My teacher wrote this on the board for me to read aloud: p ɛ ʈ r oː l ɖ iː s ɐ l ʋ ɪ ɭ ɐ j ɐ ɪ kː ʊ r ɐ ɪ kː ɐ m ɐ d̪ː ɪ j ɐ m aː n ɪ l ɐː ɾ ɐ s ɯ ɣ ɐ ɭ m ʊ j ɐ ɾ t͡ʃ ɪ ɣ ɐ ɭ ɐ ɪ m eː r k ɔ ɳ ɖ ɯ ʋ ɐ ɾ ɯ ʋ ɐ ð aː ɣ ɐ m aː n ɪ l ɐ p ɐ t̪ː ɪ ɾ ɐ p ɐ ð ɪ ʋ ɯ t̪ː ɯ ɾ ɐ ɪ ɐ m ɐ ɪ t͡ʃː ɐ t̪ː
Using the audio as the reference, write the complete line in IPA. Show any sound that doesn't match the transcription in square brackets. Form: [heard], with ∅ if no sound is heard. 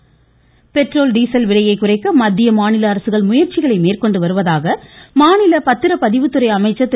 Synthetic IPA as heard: p ɛ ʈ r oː l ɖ iː s ɐ l ʋ ɪ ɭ ɐ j ɐ ɪ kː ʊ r ɐ ɪ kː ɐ m ɐ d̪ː ɪ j ɐ m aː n ɪ l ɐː ɾ ɐ s ɯ ɣ ɐ ɭ m ʊ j ɐ ɾ t͡ʃ ɪ ɣ ɐ ɭ ɐ ɪ m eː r k ɔ ɳ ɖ ɯ ʋ ɐ ɾ ɯ ʋ ɐ ð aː ɣ ɐ m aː n ɪ l ɐ p ɐ t̪ː ɪ ɾ ɐ p ɐ ð ɪ ʋ ɯ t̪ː ɯ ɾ ɐ ɪ ɐ m ɐ ɪ t͡ʃː ɐ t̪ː